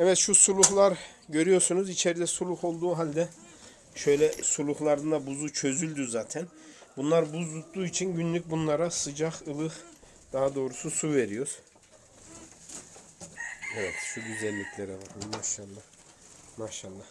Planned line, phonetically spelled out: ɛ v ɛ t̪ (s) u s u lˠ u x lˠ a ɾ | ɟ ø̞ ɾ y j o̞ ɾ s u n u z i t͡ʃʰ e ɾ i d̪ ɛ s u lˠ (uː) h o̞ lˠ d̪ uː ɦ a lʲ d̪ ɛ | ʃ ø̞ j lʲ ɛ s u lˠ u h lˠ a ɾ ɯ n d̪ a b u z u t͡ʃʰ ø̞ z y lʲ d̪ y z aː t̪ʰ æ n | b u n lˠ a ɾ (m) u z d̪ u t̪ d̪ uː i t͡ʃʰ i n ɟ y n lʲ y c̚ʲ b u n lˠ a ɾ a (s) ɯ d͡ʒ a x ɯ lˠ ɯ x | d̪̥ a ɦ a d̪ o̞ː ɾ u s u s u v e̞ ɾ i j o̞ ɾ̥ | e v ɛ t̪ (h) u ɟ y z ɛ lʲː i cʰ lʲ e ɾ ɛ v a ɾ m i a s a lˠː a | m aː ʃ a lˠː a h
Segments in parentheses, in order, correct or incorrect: incorrect: ʃ, incorrect: u, incorrect: b, correct, incorrect: ʃ

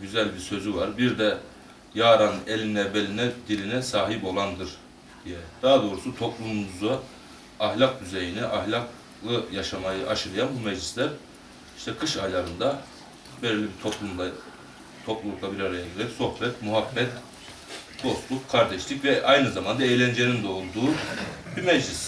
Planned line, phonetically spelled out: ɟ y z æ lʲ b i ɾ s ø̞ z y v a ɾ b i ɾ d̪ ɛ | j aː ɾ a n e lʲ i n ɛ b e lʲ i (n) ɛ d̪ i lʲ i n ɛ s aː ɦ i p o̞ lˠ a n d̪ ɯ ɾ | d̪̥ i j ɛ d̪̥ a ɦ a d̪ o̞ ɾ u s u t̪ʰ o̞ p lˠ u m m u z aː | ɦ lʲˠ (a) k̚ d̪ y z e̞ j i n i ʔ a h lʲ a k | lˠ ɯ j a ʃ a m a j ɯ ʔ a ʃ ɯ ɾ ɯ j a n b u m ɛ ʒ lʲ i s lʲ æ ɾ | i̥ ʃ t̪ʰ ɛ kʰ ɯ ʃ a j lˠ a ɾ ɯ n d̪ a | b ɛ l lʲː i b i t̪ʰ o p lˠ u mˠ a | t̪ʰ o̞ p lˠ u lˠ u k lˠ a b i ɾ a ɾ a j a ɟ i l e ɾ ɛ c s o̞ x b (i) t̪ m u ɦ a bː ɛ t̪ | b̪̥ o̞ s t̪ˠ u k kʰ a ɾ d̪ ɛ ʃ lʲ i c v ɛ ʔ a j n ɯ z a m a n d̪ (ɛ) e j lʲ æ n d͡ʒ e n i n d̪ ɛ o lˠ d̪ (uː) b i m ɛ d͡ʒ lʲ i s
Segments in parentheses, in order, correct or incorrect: correct, correct, incorrect: ɛ, incorrect: a, correct

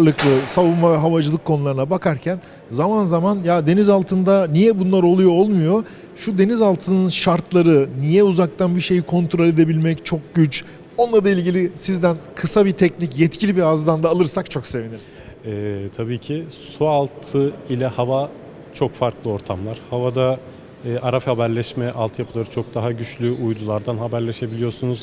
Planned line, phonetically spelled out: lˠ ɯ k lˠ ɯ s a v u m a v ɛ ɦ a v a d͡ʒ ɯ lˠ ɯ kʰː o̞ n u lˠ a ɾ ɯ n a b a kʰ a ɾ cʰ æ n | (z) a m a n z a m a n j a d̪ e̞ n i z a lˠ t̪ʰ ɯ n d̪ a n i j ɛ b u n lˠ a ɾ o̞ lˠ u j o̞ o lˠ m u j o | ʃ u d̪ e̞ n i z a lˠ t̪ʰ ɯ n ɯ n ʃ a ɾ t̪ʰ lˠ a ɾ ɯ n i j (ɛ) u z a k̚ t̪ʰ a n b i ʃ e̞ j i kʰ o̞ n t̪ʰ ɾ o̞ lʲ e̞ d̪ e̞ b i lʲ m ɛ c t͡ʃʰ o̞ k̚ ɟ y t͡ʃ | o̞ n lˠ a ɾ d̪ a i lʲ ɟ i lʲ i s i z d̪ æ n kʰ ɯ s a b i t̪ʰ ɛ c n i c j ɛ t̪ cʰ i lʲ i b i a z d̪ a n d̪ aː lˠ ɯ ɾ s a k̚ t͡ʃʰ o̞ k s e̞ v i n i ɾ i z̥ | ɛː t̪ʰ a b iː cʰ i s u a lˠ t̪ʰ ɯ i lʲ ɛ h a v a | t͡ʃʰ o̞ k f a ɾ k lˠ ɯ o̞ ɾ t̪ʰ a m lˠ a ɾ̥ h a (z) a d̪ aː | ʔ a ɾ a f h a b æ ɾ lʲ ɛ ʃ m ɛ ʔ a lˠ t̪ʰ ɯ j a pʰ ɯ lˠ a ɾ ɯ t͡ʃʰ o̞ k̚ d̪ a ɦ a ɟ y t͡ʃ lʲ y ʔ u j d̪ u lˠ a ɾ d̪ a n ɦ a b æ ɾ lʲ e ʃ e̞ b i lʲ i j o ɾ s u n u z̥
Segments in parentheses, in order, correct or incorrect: correct, correct, incorrect: v

